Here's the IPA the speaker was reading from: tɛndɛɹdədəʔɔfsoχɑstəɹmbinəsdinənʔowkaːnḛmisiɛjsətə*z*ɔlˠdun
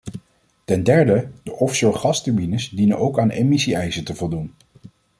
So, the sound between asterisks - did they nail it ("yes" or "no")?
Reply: no